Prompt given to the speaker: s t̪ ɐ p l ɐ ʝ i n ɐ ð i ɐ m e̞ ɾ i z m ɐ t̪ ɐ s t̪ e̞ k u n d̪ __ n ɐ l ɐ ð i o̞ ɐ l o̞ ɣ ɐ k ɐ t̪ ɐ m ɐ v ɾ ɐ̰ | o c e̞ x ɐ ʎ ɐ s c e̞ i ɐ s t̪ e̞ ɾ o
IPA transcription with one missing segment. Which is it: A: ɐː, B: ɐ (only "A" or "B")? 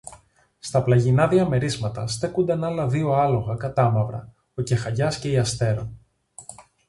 B